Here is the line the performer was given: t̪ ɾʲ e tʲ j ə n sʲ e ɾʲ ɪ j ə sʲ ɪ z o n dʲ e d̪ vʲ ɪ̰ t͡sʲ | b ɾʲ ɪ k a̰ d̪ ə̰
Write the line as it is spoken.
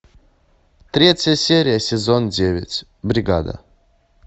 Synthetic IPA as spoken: t̪ ɾʲ e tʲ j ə sʲ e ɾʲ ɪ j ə sʲ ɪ z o n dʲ e vʲ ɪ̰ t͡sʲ | b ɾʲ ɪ ɡ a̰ d̪ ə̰